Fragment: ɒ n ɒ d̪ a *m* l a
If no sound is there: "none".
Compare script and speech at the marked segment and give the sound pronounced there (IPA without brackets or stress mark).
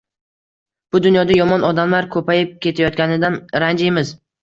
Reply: m